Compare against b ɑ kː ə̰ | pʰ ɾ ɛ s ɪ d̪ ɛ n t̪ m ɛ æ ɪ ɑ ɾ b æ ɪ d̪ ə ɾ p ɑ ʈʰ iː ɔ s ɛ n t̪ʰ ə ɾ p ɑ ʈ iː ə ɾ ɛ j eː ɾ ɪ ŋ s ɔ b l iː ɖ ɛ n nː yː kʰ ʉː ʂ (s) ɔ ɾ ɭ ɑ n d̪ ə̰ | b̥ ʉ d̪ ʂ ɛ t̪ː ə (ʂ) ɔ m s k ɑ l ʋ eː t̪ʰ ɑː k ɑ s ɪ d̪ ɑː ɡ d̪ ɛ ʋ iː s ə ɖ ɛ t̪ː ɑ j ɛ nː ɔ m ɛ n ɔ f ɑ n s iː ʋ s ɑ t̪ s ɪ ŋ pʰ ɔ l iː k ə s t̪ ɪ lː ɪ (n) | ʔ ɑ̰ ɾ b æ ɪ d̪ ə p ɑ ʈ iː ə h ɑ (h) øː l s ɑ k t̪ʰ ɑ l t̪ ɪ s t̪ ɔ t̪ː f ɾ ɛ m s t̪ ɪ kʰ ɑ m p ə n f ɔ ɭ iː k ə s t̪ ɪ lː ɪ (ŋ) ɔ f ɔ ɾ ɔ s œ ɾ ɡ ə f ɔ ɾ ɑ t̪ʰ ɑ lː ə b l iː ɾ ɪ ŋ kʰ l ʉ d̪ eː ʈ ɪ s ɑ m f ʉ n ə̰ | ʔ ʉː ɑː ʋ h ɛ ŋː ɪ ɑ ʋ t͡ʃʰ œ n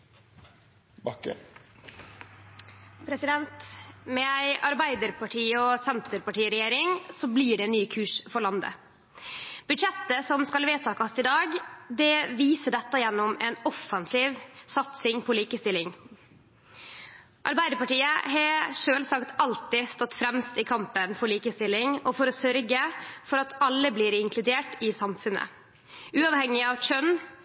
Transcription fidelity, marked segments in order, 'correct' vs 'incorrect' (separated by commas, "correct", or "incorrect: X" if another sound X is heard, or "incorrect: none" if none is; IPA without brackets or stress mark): incorrect: f, incorrect: s, incorrect: ŋ, incorrect: ʂ, correct